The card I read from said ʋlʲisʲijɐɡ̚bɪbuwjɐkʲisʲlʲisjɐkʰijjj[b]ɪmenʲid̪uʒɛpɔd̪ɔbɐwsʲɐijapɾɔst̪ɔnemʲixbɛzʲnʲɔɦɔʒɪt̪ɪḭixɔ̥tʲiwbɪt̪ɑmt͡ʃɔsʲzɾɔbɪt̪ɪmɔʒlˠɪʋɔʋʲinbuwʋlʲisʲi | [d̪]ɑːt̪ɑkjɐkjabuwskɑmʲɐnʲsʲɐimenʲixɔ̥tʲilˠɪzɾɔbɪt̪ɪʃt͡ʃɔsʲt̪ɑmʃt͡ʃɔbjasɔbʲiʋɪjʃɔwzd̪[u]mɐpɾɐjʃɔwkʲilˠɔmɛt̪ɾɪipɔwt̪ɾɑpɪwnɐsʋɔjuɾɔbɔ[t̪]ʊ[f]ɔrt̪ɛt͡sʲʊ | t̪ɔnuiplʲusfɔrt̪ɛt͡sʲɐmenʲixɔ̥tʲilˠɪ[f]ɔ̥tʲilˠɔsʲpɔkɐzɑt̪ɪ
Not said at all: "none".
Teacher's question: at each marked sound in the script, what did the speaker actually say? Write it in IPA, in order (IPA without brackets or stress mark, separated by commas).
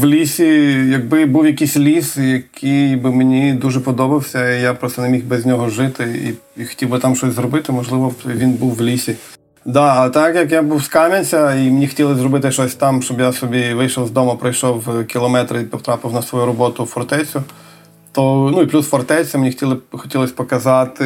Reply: b, d̪, ɔ, t̪, f, x